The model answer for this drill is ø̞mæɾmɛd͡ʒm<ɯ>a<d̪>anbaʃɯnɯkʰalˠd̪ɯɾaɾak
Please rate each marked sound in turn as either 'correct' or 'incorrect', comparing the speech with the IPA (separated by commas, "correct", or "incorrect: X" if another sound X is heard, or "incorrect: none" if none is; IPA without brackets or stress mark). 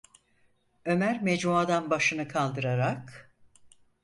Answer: incorrect: u, correct